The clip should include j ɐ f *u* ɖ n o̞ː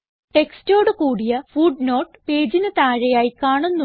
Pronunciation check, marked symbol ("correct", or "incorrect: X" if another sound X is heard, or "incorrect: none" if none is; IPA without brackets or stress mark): incorrect: uː